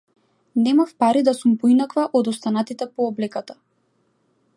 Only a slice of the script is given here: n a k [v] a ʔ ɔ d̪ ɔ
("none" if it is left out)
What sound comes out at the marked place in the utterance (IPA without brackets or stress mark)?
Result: v